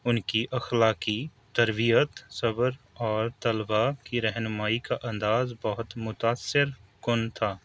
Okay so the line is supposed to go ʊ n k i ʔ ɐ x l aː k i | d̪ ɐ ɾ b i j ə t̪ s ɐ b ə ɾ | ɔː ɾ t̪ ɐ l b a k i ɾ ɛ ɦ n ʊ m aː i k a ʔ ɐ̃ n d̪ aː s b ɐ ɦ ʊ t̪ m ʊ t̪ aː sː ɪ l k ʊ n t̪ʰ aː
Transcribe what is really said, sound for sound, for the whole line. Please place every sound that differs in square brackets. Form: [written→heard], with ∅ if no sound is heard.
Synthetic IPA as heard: ʊ n k i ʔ ɐ x l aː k i | [d̪→t̪] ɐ ɾ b i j ə t̪ s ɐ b ə ɾ | ɔː ɾ t̪ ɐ l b a k i ɾ ɛ ɦ n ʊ m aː i k a ʔ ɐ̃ n d̪ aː [s→z] b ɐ ɦ ʊ t̪ m ʊ t̪ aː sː ɪ [l→ɾ] k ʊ n t̪ʰ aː